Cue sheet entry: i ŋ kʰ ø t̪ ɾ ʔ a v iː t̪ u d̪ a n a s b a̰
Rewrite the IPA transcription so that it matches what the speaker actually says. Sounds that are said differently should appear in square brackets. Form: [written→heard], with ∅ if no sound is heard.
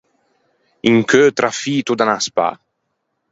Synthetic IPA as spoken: i ŋ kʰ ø t̪ ɾ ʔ a [v→f] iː t̪ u d̪ a n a s [b→p] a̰